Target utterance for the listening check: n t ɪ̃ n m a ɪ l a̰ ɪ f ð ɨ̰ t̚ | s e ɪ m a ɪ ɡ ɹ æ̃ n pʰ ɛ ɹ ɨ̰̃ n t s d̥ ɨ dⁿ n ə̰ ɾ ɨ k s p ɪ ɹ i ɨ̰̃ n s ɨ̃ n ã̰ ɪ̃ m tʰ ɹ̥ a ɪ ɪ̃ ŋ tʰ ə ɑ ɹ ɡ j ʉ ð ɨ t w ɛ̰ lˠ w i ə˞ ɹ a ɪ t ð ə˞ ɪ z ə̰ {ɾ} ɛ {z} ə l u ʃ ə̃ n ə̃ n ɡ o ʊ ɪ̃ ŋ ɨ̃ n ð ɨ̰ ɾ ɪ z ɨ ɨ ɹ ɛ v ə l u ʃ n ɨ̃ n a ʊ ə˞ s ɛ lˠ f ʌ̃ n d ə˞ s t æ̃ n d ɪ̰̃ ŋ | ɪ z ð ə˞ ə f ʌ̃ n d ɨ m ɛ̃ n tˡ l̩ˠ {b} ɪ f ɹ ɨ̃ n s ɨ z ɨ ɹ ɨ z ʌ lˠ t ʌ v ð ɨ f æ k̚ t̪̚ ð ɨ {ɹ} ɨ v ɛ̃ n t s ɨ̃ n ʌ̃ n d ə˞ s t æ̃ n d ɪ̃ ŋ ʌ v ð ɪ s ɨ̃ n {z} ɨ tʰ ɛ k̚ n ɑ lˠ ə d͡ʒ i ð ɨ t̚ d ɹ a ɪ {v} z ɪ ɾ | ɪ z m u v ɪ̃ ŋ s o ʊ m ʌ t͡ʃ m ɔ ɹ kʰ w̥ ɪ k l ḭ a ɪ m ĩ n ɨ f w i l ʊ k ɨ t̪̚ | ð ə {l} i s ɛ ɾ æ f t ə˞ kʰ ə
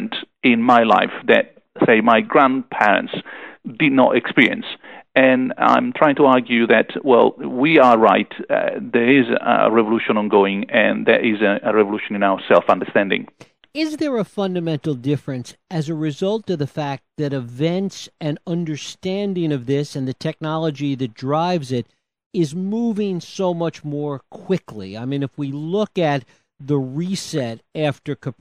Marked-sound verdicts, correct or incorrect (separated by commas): incorrect, incorrect, incorrect, incorrect, incorrect, correct, incorrect